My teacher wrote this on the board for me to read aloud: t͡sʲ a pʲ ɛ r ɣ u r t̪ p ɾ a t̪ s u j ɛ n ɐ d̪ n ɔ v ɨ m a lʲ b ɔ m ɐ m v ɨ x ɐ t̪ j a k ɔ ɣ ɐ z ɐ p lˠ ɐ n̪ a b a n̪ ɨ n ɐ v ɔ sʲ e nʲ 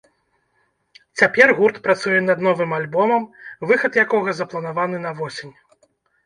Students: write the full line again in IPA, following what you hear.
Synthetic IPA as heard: t͡sʲ a pʲ ɛ r ɣ u r t̪ p ɾ a t̪ s u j ɛ n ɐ d̪ n ɔ v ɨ m a lʲ b ɔ m ɐ m v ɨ x ɐ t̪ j a k ɔ ɣ ɐ z ɐ p lˠ ɐ n̪ a v a n̪ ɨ n ɐ v ɔ sʲ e nʲ